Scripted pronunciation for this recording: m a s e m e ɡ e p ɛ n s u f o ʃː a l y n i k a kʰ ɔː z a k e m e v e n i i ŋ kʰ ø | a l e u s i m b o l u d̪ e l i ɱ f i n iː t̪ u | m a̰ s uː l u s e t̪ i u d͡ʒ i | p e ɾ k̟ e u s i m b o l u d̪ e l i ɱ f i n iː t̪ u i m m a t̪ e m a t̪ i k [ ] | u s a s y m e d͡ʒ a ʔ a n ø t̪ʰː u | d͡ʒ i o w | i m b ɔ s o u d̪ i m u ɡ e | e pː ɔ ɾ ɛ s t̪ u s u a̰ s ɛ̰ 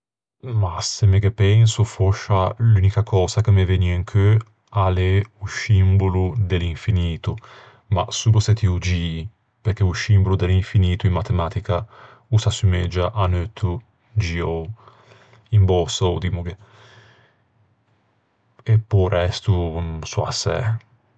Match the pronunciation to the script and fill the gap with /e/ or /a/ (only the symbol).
a